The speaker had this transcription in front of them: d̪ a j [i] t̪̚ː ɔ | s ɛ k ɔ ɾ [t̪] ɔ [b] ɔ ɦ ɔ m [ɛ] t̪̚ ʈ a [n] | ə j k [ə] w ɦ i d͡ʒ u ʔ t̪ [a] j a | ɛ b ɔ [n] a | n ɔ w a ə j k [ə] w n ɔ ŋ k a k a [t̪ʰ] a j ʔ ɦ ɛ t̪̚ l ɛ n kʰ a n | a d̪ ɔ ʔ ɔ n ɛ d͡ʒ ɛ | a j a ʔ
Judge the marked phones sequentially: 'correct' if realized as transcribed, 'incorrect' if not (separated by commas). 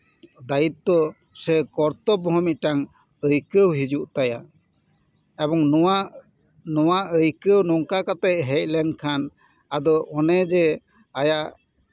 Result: correct, correct, correct, incorrect, incorrect, correct, correct, incorrect, correct, incorrect